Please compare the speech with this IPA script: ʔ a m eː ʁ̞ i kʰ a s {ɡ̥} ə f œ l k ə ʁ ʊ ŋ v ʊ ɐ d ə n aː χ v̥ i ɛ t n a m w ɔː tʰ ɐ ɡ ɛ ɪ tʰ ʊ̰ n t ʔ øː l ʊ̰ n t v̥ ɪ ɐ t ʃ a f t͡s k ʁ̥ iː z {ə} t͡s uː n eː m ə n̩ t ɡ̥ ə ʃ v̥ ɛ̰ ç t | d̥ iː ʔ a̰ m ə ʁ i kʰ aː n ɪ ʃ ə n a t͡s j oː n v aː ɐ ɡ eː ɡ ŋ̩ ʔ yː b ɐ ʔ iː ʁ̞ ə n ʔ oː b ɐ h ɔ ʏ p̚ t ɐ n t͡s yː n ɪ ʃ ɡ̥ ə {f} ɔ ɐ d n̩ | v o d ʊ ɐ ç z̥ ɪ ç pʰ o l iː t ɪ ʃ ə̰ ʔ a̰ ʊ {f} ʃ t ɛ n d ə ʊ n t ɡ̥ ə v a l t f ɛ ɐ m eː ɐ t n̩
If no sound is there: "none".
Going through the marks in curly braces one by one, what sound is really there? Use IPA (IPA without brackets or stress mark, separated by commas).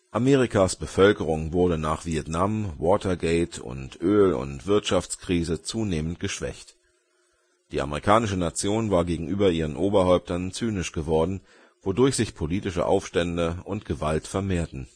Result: b̥, ə, v, f